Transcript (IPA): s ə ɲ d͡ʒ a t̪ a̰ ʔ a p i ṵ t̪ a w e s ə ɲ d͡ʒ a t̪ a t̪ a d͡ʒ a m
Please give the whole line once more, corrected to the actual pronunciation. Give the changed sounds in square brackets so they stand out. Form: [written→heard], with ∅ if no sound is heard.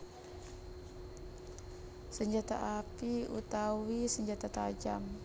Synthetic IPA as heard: s ə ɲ d͡ʒ a t̪ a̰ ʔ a p i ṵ t̪ a w [e→i] s ə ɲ d͡ʒ a t̪ a t̪ a d͡ʒ a m